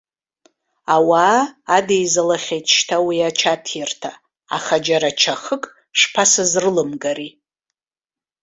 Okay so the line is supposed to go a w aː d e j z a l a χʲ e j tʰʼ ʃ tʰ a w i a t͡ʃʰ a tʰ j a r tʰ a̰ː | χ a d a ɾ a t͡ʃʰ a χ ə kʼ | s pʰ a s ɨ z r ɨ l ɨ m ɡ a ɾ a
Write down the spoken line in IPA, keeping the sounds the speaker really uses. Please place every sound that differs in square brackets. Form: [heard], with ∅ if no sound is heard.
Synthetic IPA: a w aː d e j z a l a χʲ e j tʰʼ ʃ tʰ a w i a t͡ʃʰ a tʰ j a r tʰ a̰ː | χ a [d͡ʒ] a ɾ a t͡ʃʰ a χ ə kʼ | [ʂ] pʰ a s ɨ z r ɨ l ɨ m ɡ a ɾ [i]

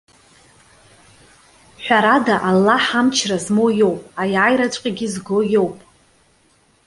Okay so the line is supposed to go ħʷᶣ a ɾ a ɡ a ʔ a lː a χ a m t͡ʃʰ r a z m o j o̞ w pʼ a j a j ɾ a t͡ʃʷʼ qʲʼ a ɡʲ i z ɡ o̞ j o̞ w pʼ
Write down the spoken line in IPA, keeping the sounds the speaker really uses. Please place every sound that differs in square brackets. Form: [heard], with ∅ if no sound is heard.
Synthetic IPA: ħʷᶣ a ɾ a [d] a ʔ a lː a [ħ] a m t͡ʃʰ r a z m o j o̞ w pʼ a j a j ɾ a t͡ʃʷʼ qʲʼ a ɡʲ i z ɡ o̞ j o̞ w pʼ

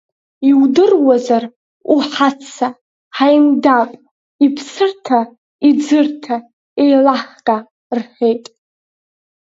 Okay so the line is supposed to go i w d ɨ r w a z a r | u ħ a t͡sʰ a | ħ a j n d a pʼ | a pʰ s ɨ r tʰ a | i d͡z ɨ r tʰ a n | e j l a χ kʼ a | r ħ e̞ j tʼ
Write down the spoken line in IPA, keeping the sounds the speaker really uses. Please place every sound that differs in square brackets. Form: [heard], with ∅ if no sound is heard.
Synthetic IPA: i w d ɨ r w a z a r | u ħ a t͡sʰ a | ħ a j n d a pʼ | [i] pʰ s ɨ r tʰ a | i d͡z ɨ r tʰ a [∅] | e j l a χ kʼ a | r ħ e̞ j tʼ

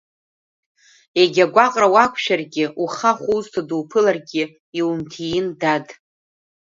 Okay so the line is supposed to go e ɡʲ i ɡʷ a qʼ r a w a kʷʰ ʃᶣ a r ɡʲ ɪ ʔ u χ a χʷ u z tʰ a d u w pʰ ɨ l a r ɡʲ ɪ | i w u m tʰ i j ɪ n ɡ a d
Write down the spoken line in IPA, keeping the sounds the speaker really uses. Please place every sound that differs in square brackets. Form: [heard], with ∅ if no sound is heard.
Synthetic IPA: e ɡʲ [a] ɡʷ a qʼ r a w a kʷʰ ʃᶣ a r ɡʲ ɪ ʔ u χ a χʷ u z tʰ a d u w pʰ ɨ l a r ɡʲ ɪ | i w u m tʰ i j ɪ n [d] a d

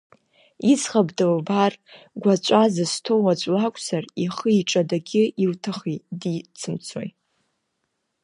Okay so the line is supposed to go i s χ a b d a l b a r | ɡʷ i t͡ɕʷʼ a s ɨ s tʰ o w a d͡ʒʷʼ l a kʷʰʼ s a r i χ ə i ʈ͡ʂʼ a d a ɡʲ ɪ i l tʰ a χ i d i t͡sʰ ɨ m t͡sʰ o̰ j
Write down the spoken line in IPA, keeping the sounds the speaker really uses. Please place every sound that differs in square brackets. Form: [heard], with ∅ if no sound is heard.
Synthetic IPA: i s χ a b d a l b a r | ɡʷ [a] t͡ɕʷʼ a [z] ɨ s tʰ o w a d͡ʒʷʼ l a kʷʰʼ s a r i χ ə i ʈ͡ʂʼ a d a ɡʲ ɪ i l tʰ a χ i d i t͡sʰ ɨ m t͡sʰ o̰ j

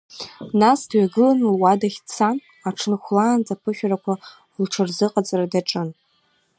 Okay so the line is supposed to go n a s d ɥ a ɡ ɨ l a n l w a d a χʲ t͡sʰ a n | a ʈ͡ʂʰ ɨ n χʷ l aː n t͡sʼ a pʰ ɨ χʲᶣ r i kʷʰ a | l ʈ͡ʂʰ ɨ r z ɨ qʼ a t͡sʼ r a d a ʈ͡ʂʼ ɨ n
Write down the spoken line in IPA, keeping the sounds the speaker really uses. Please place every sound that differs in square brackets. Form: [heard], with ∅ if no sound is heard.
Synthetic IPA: n a s d ɥ a ɡ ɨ l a n l w a d a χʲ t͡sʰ a n | a ʈ͡ʂʰ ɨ n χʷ l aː n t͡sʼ a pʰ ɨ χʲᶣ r [a] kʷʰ a | l ʈ͡ʂʰ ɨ r z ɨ qʼ a t͡sʼ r a d a ʈ͡ʂʼ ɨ n

